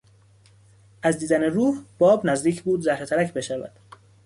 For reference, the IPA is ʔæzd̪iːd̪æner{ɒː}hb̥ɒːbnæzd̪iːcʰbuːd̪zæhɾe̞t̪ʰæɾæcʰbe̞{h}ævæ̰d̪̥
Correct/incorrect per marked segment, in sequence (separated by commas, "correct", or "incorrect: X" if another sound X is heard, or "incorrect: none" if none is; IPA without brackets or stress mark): incorrect: uː, incorrect: ʃ